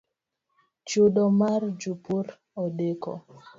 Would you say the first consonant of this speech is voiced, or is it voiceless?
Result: voiceless